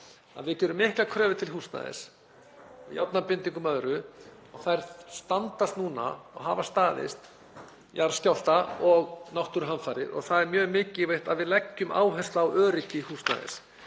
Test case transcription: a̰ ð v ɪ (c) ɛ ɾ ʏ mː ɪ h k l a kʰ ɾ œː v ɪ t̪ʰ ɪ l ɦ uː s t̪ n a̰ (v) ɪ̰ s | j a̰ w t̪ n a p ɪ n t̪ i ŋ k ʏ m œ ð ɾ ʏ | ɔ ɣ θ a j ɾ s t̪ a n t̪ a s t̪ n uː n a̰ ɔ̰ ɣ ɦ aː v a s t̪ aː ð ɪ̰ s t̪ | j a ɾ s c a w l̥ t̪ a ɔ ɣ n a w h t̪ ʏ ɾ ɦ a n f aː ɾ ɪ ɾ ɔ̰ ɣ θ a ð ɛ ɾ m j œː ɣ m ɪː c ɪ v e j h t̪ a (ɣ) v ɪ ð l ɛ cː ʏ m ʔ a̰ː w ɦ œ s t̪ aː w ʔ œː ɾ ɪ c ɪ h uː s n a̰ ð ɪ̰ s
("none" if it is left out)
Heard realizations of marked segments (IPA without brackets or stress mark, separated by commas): c, ð, ð